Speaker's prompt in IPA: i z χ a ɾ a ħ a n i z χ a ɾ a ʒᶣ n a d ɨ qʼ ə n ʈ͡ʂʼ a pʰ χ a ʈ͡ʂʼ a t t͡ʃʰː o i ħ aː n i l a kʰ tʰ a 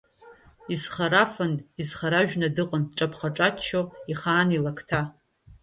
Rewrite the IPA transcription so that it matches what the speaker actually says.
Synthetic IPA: i z χ a ɾ a f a n i z χ a ɾ a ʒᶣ n a d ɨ qʼ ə n ʈ͡ʂʼ a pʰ χ a ʈ͡ʂʼ a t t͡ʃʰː o i χ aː n i l a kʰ tʰ a